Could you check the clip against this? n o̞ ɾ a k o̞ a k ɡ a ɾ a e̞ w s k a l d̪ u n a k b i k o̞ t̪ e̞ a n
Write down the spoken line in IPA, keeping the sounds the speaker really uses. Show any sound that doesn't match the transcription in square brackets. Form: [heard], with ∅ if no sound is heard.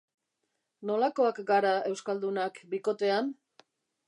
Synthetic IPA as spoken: n o̞ [l] a k o̞ a k ɡ a ɾ a e̞ w s k a l d̪ u n a k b i k o̞ t̪ e̞ a n

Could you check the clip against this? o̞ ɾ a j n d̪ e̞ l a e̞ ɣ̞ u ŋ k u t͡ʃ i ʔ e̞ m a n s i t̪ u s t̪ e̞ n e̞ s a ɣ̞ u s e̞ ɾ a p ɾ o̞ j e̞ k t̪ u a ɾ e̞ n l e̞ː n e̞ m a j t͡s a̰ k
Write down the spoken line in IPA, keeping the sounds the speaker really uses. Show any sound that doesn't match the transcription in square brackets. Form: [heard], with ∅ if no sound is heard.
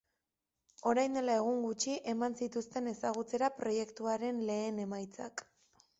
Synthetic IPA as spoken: o̞ ɾ a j n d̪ e̞ l a e̞ ɣ̞ u ŋ [ɡ] u t͡ʃ i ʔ e̞ m a n s i t̪ u s t̪ e̞ n e̞ s a ɣ̞ u [t͡s] e̞ ɾ a p ɾ o̞ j e̞ k t̪ u a ɾ e̞ n l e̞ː n e̞ m a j t͡s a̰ k

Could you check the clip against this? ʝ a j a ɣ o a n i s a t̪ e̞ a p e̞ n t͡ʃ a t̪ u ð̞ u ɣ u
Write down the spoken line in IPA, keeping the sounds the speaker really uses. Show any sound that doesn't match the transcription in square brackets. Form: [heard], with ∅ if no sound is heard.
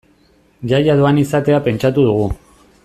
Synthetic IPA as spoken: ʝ a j a [ð] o a n i s a t̪ e̞ a p e̞ n t͡ʃ a t̪ u ð̞ u ɣ u

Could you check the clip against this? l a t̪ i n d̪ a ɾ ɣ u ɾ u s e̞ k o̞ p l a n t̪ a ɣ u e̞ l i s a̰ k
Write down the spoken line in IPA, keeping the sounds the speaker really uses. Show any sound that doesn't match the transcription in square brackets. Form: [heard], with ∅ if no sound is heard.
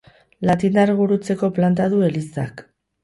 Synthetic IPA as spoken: l a t̪ i n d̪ a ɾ ɣ u ɾ u [t͡s] e̞ k o̞ p l a n t̪ a [ð] u e̞ l i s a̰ k

